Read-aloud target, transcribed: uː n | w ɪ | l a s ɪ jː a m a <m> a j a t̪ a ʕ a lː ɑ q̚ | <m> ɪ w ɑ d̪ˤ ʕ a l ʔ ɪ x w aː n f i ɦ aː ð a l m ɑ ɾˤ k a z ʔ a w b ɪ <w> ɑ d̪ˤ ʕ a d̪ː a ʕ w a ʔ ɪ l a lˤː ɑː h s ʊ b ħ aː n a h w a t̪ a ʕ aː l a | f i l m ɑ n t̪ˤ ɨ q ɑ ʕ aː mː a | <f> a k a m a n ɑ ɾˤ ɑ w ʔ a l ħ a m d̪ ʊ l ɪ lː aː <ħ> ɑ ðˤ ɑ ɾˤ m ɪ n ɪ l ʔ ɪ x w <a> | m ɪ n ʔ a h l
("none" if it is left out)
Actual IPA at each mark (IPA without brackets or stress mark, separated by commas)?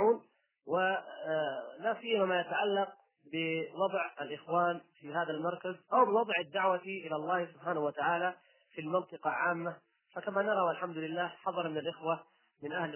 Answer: m, b, w, f, ħ, a